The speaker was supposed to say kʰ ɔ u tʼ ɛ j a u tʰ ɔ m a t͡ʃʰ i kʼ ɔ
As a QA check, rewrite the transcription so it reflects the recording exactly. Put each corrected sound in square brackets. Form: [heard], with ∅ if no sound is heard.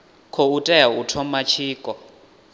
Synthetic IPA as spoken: kʰ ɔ u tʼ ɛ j a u tʰ ɔ m a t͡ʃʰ [iː] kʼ ɔ